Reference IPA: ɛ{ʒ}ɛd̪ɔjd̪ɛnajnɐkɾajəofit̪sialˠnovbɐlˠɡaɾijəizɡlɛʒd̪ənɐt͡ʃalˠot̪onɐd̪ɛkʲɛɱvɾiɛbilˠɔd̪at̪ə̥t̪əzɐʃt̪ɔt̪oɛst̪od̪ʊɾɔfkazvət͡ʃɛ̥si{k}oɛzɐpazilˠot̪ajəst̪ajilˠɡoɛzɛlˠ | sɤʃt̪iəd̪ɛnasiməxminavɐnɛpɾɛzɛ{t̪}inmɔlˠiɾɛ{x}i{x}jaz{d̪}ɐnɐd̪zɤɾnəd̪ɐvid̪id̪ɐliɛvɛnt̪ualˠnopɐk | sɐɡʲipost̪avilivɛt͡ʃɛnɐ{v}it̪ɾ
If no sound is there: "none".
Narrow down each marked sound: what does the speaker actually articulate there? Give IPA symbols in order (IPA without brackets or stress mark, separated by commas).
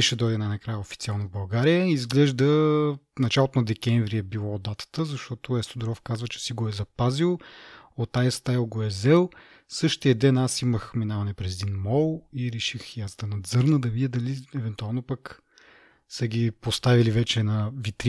ʃ, ɡ, d̪, ʃ, x, d̪, v